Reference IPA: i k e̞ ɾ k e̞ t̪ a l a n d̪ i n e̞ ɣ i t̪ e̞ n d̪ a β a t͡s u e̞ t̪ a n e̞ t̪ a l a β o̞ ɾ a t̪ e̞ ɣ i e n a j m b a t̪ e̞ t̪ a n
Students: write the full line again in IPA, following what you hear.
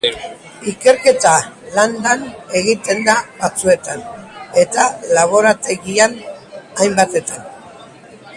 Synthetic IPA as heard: i k e̞ ɾ k e̞ t̪ a l a n d̪ a n e̞ ɣ i t̪ e̞ n d̪ a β a t͡s u e̞ t̪ a n e̞ t̪ a l a β o̞ ɾ a t̪ e̞ ɣ i a n a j m b a t̪ e̞ t̪ a n